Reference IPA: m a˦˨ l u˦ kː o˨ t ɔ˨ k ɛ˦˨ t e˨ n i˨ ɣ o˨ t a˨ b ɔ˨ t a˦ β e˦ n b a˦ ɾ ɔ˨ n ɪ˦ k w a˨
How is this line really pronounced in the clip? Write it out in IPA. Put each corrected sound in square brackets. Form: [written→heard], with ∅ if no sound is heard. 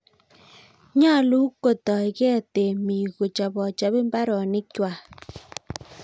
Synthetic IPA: [m→ɲ] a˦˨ l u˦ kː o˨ t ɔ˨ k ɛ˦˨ t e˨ [n→m] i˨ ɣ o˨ [t→t͡ʃ] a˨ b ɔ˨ [t→t͡ʃ] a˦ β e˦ [n→m] b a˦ ɾ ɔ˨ n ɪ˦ k w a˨